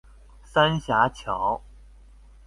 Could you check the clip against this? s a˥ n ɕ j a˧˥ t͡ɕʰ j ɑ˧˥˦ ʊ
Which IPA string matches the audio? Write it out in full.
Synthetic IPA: s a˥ n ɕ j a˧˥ t͡ɕʰ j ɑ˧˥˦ ʊ

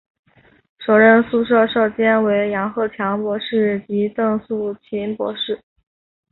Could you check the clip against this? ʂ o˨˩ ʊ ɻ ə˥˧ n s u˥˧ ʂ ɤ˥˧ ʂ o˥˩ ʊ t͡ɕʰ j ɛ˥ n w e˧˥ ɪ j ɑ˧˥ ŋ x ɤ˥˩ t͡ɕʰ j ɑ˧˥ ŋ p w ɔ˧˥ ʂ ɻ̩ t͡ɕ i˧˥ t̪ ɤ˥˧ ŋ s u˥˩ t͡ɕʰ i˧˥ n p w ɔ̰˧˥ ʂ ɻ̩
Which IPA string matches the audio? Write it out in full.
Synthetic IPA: ʂ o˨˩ ʊ ɻ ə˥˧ n s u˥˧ ʂ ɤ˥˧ ʂ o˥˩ ʊ t͡ɕ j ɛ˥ n w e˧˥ ɪ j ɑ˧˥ ŋ x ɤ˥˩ t͡ɕʰ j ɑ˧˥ ŋ p w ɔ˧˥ ʂ ɻ̩ t͡ɕ i˧˥ t̪ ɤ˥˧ ŋ s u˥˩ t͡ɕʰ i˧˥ n p w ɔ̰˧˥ ʂ ɻ̩

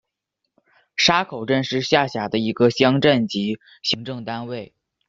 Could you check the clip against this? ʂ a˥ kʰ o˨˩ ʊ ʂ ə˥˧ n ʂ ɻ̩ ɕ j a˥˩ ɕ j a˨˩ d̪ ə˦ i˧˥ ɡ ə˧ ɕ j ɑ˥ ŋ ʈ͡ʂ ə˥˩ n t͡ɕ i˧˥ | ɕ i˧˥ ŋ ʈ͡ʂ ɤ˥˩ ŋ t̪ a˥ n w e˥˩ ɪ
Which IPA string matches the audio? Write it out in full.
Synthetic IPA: ʂ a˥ kʰ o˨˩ ʊ ʈ͡ʂ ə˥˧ n ʂ ɻ̩ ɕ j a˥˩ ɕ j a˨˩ d̪ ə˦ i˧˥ ɡ ə˧ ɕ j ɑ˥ ŋ ʈ͡ʂ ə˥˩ n t͡ɕ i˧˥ | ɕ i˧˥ ŋ ʈ͡ʂ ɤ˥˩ ŋ t̪ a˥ n w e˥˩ ɪ

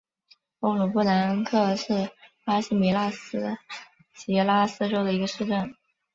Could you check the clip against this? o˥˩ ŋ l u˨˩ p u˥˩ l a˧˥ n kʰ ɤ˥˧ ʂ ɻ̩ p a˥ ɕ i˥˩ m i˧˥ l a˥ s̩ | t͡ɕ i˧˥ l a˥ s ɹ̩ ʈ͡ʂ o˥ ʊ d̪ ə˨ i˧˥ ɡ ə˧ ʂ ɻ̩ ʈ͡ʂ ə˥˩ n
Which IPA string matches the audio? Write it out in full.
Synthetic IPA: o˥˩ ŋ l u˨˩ p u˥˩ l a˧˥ n kʰ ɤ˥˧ ʂ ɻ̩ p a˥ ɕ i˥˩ m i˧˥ l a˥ s̩ | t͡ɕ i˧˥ l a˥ s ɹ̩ ʈ͡ʂ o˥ ʊ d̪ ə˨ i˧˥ ɡ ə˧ ʂ ɻ̩ ʈ͡ʂ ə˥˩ n

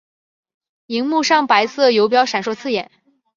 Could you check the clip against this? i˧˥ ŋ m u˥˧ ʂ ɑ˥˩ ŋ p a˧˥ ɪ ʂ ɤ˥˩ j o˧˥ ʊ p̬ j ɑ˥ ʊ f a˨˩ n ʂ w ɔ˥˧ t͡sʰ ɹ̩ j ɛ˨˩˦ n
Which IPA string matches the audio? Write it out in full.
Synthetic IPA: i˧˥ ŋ m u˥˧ ʂ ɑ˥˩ ŋ p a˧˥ ɪ s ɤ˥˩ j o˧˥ ʊ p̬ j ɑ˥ ʊ ʂ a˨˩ n ʂ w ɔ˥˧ t͡sʰ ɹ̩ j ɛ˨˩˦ n

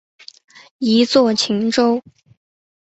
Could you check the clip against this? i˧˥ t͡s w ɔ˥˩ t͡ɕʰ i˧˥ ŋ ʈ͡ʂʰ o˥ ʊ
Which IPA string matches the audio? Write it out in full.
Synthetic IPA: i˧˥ t͡s w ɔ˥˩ t͡ɕʰ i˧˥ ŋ ʈ͡ʂ o˥ ʊ

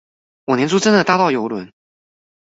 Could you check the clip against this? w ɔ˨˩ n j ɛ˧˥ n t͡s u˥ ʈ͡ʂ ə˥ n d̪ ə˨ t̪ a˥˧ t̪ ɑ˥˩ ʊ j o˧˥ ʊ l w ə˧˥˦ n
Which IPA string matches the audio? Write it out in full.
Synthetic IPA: w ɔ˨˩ n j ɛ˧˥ n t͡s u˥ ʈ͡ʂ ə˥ n d̪ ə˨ t̪ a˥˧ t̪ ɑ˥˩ ʊ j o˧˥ ʊ l w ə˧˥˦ n

